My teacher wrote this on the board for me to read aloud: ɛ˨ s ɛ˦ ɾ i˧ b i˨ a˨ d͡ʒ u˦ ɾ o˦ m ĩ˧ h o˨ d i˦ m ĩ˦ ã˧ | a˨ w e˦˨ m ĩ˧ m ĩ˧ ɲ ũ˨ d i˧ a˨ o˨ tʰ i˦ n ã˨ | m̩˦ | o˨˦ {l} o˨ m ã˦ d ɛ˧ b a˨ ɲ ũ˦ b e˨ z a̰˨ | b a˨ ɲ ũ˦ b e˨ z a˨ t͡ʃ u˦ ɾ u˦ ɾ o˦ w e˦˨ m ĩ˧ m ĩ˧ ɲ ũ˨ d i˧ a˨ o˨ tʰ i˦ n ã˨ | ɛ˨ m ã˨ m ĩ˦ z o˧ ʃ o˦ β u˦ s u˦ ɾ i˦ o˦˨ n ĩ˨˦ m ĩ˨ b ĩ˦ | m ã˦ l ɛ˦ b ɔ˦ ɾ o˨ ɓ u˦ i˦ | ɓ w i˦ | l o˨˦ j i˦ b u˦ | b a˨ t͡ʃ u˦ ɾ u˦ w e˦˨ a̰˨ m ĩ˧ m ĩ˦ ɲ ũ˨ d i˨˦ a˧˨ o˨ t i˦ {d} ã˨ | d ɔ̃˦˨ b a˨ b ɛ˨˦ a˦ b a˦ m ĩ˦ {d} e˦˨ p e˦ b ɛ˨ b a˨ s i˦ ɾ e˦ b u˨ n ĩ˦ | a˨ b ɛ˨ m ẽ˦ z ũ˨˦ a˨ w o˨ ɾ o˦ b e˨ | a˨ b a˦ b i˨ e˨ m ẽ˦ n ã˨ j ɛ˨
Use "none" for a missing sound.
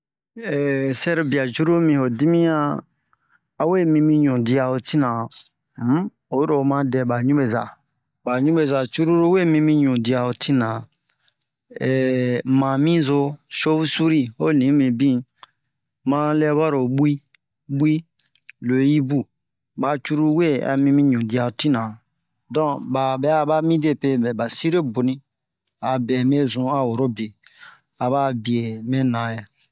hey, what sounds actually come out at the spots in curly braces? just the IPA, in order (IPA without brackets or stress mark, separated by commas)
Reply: ɾ, n, d